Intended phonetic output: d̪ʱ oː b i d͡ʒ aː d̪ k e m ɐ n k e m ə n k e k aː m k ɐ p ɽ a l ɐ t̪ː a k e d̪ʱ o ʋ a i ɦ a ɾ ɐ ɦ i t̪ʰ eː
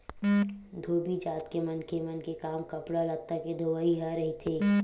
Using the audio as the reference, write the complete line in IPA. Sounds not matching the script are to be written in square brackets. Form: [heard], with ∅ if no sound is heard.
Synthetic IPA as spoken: d̪ʱ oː b i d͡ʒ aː [t̪] k e m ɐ n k e m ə n k e k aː m k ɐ p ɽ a l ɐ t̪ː a k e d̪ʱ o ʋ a i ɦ a ɾ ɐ ɦ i t̪ʰ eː